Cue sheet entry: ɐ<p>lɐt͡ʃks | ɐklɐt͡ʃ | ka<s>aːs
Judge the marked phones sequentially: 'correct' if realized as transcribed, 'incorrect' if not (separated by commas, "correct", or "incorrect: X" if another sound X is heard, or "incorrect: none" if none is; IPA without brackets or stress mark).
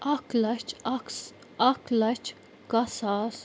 incorrect: k, correct